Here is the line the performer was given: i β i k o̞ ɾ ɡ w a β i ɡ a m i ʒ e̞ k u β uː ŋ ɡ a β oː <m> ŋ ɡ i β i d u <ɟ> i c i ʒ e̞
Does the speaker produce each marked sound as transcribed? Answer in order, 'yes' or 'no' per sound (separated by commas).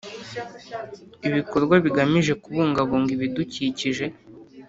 no, no